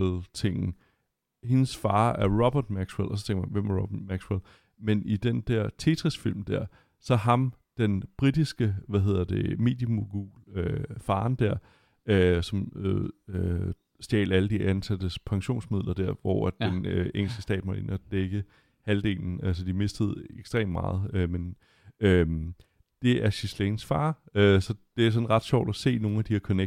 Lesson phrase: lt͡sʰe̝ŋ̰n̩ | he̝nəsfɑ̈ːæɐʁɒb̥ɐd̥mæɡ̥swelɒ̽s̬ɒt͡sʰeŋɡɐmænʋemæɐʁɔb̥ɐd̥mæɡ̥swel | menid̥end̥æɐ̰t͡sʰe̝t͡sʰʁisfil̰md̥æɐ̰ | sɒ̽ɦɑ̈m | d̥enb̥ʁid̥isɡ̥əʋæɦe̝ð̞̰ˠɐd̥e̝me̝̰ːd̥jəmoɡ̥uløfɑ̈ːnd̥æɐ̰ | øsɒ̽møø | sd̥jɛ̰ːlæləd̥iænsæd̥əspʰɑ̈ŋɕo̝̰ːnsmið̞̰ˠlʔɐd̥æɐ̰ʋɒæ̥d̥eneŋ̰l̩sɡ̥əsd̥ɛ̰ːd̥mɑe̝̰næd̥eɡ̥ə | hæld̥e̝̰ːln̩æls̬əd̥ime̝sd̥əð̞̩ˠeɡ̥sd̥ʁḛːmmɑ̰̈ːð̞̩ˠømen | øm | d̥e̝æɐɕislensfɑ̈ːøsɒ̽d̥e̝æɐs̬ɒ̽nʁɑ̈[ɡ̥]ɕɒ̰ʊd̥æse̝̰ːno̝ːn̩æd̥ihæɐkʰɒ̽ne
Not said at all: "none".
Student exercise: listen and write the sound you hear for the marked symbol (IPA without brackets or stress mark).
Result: d̥